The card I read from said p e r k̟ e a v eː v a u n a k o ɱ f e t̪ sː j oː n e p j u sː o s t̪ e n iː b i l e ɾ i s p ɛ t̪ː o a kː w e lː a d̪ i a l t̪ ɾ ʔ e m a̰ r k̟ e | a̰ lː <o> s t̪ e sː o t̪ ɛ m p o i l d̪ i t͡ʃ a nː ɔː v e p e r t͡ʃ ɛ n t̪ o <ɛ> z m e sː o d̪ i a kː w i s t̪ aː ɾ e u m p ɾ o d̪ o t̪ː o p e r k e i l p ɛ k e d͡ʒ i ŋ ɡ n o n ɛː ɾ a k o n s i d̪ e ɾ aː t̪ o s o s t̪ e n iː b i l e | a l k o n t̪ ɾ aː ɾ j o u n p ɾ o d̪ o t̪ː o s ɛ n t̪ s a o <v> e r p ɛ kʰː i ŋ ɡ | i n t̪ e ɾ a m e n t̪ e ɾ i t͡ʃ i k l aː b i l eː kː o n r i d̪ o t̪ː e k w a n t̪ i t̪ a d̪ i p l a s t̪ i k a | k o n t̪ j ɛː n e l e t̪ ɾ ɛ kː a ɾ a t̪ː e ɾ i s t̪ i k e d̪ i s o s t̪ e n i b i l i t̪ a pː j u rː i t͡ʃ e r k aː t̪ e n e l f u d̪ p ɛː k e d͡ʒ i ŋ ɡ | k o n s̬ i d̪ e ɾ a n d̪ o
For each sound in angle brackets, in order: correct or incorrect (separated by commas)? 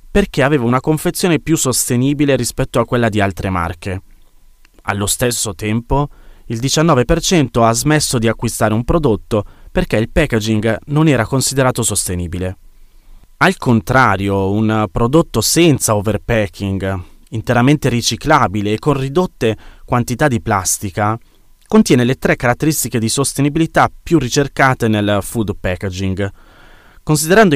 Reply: correct, incorrect, correct